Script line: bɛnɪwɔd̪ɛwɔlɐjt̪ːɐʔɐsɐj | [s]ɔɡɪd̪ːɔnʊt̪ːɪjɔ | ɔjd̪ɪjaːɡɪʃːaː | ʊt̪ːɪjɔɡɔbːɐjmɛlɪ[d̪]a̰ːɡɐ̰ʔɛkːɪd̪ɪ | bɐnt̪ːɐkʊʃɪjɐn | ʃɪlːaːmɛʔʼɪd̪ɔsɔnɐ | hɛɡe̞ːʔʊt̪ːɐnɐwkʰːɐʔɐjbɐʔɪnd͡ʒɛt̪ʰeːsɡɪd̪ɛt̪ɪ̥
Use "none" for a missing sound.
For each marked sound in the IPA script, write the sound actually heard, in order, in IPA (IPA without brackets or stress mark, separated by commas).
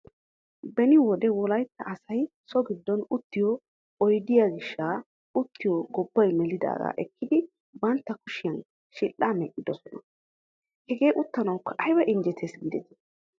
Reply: s, d̪